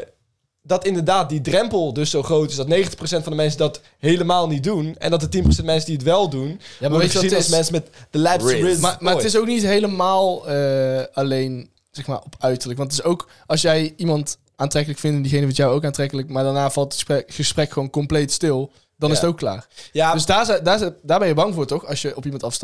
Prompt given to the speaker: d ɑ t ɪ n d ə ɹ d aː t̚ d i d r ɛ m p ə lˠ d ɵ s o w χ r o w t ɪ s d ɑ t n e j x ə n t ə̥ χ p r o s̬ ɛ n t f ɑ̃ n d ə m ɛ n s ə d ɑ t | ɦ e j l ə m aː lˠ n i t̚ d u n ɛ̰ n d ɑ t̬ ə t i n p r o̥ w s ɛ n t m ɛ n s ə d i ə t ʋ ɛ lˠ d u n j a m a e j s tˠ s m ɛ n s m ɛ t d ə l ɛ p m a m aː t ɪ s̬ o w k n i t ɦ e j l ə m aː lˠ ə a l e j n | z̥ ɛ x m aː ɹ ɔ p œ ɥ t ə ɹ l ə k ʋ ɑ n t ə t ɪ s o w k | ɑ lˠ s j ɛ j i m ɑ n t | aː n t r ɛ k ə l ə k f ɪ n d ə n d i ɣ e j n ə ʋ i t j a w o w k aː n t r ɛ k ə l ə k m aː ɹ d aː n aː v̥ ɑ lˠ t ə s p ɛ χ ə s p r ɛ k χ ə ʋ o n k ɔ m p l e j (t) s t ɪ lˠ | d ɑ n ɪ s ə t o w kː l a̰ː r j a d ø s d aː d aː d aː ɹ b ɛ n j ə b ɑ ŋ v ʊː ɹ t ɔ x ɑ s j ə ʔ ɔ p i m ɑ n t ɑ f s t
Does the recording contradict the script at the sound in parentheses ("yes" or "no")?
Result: no